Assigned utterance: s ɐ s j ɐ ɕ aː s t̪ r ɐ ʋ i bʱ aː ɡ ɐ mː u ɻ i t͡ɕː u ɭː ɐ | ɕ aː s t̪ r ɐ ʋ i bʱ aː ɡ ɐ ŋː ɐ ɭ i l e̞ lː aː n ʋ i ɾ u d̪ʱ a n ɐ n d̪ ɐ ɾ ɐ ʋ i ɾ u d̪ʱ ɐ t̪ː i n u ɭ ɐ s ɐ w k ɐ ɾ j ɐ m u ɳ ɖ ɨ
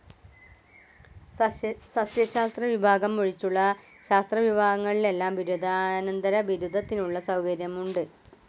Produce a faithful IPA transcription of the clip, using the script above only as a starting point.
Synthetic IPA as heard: s ɐ s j ɐ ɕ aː s t̪ r ɐ ʋ i bʱ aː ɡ ɐ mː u ɻ i t͡ɕː u ɭː ɐ | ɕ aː s t̪ r ɐ ʋ i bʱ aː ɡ ɐ ŋː ɐ ɭ i l e̞ lː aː m ʋ i ɾ u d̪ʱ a n ɐ n d̪ ɐ ɾ ɐ ʋ i ɾ u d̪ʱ ɐ t̪ː i n u ɭː ɐ s ɐ w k ɐ ɾ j ɐ m u ɳ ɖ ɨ